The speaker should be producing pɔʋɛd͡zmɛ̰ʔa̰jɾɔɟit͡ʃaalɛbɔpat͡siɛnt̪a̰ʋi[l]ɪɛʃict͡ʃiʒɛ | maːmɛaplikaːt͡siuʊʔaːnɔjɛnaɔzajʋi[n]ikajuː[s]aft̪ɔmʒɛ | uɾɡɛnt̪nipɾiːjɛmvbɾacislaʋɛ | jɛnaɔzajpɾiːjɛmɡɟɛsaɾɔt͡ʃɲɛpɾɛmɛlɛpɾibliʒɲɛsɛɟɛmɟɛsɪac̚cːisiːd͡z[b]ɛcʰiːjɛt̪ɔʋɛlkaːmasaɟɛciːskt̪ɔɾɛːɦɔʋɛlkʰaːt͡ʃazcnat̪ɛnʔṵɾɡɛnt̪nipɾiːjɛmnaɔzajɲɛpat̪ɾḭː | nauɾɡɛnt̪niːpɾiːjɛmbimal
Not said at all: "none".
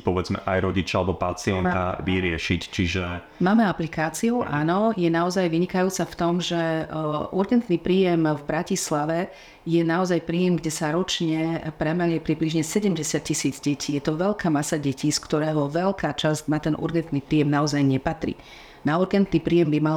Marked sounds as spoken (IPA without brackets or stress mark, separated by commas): ɾ, ɲ, t͡s, ɟ